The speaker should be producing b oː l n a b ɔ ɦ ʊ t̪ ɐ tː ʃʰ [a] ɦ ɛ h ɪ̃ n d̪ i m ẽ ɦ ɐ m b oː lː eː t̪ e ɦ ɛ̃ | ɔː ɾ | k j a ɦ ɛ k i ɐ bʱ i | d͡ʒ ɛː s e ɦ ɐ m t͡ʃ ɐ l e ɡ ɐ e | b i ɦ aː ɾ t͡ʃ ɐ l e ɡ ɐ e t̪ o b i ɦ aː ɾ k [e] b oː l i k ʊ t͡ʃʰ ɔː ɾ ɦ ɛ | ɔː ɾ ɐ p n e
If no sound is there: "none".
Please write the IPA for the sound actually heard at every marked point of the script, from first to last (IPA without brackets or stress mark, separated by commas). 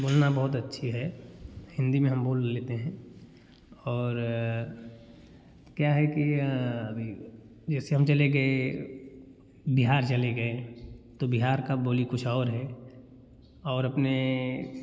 i, a